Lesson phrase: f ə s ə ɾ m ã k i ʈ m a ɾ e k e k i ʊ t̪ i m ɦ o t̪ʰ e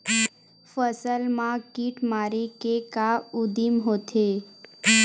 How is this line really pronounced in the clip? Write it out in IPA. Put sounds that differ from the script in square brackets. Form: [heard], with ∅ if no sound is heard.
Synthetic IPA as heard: f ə s ə [l] m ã k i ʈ m a ɾ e k e k [a] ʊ [d̪] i m ɦ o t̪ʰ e